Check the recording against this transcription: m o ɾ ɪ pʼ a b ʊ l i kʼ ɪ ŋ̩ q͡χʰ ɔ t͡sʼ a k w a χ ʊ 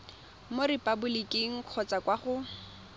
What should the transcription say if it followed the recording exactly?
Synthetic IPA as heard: m o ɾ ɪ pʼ a b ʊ l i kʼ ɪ ŋ̩ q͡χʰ ɔ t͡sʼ a k w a χ ʊ